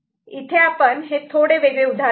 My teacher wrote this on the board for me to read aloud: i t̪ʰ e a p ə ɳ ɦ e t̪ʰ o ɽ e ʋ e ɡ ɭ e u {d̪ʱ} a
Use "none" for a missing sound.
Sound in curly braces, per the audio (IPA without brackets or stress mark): d̪ʱ